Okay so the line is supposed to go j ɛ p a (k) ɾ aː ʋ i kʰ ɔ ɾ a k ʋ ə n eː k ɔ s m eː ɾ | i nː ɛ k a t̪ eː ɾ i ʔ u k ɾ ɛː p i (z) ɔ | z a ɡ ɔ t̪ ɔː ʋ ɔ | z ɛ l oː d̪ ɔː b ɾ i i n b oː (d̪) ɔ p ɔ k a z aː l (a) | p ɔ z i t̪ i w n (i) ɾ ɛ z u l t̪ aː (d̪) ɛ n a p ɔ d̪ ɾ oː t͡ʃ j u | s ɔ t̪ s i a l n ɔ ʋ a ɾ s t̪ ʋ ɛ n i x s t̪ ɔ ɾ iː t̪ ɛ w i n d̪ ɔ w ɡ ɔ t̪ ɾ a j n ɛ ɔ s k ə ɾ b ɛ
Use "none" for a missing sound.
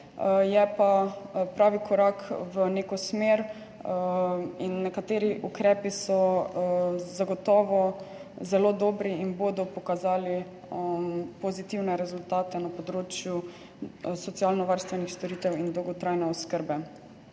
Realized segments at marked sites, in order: p, s, d̪, i, ɛ, t̪

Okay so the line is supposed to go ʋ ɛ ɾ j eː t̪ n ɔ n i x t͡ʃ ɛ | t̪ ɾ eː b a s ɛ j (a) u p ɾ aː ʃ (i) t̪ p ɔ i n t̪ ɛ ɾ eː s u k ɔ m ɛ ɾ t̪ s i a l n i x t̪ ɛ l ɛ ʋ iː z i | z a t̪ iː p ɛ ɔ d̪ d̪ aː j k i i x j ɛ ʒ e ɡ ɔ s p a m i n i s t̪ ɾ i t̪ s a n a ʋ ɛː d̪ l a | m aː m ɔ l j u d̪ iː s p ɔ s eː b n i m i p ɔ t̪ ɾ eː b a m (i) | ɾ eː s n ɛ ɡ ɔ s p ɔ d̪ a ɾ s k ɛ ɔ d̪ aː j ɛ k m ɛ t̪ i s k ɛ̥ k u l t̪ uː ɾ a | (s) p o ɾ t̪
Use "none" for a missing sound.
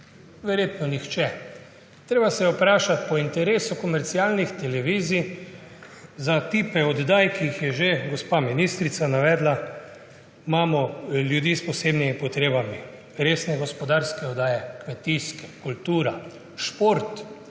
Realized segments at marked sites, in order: ɛ, a, i, ʃ

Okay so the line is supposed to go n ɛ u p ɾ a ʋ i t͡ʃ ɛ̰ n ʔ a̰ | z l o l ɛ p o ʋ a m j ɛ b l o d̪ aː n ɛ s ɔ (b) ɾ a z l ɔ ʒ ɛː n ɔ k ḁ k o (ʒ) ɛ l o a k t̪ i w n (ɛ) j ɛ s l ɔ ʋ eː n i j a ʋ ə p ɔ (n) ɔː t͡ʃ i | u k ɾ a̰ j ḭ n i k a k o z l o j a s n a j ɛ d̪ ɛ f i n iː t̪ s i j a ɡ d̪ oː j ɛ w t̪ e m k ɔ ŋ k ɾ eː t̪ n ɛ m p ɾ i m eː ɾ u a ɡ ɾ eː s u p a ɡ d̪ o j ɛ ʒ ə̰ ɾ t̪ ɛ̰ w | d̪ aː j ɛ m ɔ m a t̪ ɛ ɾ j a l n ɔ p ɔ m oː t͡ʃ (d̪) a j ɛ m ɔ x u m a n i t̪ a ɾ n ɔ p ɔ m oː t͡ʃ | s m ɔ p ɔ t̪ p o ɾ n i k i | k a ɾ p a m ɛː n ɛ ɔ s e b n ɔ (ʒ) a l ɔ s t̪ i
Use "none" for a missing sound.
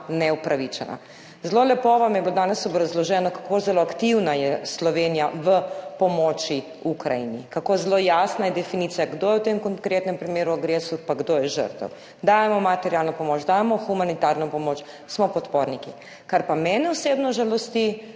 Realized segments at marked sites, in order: b, z, a, m, d̪, ʒ

